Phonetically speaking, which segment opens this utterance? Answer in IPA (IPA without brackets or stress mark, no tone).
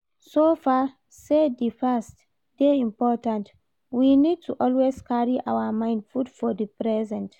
s